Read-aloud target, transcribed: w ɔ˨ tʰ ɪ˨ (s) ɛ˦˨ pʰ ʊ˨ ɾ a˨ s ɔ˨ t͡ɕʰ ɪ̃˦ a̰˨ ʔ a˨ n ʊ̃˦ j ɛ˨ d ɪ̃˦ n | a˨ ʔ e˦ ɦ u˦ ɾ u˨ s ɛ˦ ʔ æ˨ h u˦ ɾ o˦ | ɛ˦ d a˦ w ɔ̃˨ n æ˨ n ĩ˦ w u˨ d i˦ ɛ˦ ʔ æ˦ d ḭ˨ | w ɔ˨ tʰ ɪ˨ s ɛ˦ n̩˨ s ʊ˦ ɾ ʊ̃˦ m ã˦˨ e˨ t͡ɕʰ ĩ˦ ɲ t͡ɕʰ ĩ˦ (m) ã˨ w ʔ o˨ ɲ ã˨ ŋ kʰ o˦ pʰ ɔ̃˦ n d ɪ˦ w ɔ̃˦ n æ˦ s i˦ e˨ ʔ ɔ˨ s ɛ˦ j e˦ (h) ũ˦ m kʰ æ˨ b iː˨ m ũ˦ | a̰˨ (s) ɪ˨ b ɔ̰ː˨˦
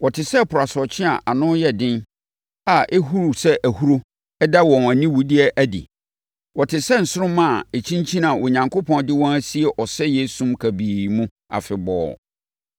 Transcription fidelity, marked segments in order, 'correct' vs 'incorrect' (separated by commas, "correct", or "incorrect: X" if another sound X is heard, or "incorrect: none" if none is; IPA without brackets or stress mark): correct, incorrect: n, incorrect: s, incorrect: f